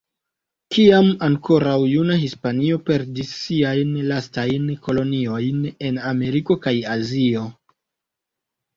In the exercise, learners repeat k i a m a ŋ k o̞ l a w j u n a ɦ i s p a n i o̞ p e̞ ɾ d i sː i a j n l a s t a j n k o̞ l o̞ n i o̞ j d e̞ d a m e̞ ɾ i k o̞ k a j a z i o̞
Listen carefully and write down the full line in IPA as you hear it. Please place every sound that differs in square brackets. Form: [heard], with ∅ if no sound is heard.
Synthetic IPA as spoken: k i a m a ŋ k o̞ [ɾ] a w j u n a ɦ i s p a n i o̞ p e̞ ɾ d i sː i a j n l a s t a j n k o̞ l o̞ n i o̞ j [n] e̞ [n] a m e̞ ɾ i k o̞ k a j a z i o̞